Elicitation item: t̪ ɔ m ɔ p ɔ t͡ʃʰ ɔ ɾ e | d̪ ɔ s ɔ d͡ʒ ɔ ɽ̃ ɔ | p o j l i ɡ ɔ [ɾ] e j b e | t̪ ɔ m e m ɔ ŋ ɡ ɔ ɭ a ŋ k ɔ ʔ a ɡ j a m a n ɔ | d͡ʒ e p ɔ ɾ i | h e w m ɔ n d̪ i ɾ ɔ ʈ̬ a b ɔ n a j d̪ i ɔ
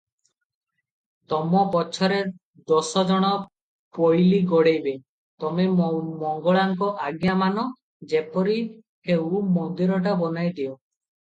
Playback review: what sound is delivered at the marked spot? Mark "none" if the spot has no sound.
ɽ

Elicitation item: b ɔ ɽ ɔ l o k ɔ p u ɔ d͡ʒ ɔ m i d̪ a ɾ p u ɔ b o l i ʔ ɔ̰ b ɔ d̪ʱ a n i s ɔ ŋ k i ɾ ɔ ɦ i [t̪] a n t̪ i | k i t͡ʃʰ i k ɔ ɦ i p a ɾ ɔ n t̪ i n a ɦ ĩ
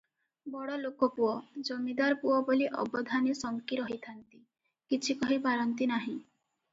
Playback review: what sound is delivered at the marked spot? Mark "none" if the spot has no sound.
t̪ʰ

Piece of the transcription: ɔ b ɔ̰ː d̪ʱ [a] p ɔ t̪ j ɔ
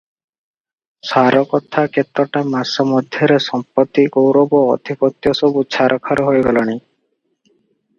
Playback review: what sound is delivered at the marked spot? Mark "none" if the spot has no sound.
i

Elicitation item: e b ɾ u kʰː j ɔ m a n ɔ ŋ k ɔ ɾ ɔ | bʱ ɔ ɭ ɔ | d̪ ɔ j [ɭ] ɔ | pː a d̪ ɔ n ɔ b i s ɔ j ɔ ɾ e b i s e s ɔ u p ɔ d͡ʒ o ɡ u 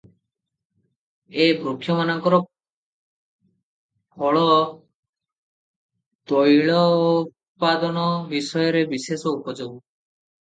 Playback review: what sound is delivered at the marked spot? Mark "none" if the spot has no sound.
ɭ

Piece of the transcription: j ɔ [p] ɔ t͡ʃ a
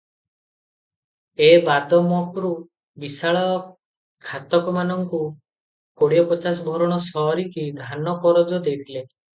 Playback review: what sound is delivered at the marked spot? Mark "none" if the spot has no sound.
p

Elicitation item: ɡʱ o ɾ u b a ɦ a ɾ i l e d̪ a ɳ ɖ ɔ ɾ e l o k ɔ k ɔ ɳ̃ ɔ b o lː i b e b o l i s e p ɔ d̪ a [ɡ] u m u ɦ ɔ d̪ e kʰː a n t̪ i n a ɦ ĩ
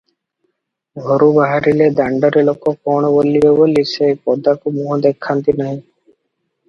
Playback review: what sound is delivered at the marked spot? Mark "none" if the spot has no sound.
k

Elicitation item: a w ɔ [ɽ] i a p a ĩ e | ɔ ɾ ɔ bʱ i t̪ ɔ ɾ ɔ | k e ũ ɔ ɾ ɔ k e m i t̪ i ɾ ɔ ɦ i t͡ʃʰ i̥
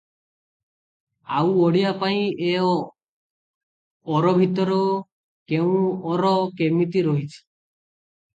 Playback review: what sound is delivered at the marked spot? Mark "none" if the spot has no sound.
ɽ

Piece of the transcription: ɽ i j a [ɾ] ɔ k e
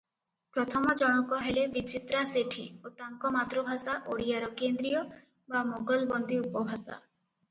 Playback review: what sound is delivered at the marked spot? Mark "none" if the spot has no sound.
ɾ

